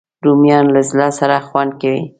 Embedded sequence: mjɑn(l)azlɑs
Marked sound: correct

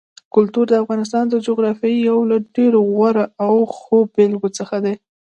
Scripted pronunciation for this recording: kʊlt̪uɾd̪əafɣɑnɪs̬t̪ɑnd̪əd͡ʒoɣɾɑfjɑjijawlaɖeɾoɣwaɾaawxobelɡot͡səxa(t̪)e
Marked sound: incorrect: d̪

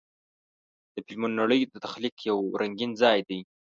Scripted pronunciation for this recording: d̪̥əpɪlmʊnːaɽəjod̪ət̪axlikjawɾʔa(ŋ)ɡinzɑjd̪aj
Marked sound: correct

